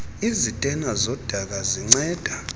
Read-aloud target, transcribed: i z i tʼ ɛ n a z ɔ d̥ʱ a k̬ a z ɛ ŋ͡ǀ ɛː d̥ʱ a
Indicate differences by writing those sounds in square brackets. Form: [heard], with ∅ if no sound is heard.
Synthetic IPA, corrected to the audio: i z i tʼ ɛ n a z ɔ d̥ʱ a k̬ a z [i] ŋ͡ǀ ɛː d̥ʱ a